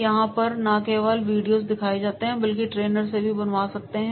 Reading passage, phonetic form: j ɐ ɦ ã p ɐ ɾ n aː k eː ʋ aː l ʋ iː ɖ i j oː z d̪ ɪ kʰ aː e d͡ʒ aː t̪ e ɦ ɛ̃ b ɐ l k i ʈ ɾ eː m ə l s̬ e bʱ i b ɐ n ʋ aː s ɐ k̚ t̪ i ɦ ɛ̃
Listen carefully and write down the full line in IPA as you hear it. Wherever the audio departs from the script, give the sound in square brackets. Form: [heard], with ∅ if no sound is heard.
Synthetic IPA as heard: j ɐ ɦ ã p ɐ ɾ n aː k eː ʋ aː l ʋ iː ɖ i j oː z d̪ ɪ kʰ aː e d͡ʒ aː t̪ e ɦ ɛ̃ b ɐ l k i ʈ ɾ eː [n] ə [ɾ] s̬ e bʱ i b ɐ n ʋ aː s ɐ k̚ t̪ [e] ɦ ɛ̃